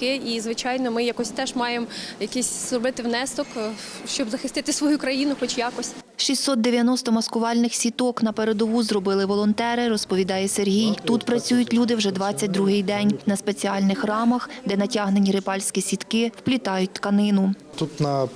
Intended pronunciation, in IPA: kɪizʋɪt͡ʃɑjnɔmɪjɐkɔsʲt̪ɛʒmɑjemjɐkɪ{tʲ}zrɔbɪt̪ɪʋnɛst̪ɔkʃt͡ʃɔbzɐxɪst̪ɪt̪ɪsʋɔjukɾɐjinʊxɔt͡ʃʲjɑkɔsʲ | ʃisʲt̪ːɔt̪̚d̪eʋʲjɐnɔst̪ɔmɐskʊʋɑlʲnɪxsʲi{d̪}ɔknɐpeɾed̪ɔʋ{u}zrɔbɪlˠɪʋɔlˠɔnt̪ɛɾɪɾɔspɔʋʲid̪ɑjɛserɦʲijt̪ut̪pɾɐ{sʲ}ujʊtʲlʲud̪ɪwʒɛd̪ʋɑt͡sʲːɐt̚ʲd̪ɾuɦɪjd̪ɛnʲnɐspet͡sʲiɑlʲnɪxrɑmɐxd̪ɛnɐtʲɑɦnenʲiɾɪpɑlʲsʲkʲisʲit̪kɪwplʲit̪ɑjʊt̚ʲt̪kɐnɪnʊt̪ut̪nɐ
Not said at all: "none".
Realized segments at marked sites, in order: sʲ, t̪, u, t͡sʲ

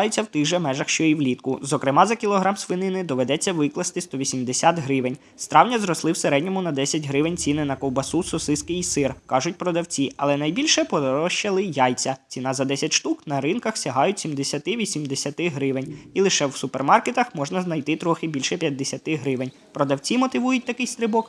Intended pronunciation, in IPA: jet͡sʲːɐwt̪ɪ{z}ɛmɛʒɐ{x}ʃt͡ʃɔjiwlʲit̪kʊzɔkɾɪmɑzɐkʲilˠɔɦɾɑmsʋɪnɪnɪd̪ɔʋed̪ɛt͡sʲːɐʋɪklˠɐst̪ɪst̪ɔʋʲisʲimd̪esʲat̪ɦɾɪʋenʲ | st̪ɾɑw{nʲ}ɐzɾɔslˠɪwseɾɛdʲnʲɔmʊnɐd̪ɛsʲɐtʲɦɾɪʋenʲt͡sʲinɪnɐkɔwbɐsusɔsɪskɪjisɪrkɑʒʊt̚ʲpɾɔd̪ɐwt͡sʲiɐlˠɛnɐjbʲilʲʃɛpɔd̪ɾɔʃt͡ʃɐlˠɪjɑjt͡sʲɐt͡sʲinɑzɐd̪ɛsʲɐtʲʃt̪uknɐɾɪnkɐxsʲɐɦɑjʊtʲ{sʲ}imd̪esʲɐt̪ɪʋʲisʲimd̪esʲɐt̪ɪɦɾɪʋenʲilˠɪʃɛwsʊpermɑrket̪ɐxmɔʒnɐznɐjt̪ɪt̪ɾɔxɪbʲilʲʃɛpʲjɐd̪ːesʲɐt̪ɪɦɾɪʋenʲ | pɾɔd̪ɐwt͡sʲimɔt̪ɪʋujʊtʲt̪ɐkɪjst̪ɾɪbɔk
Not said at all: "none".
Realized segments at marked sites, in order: ʒ, x, nʲ, sʲ

